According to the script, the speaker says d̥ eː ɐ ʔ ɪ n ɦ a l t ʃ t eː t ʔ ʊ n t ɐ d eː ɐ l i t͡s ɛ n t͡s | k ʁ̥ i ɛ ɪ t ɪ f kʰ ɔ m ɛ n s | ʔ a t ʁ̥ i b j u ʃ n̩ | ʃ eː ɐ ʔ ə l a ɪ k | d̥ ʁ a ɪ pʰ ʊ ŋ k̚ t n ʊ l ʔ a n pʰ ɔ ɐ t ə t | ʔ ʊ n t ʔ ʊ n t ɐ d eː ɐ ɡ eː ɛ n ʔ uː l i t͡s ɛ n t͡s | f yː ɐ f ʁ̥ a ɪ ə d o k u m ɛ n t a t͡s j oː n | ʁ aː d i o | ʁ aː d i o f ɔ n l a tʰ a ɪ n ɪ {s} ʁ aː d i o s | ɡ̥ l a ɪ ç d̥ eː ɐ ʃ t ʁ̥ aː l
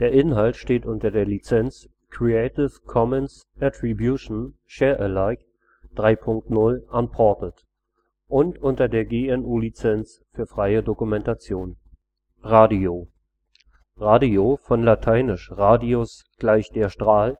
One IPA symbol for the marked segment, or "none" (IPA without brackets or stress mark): ʃ